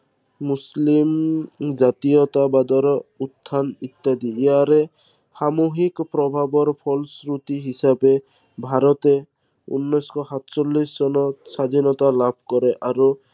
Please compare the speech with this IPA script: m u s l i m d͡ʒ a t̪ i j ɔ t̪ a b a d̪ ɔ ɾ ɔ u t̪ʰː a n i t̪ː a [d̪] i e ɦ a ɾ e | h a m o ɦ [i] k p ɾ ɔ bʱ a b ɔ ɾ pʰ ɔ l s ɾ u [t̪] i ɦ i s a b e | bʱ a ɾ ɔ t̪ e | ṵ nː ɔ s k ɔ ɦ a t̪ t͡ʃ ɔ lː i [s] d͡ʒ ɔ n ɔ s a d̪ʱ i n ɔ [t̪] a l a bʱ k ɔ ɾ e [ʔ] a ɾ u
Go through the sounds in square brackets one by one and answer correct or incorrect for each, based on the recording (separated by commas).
correct, correct, correct, correct, correct, correct